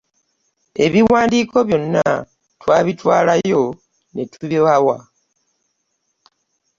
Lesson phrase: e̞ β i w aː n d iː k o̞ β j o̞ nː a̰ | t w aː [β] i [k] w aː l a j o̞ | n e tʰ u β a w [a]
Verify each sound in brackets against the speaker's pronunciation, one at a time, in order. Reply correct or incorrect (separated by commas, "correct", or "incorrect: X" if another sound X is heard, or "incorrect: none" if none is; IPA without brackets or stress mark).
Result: correct, incorrect: t, correct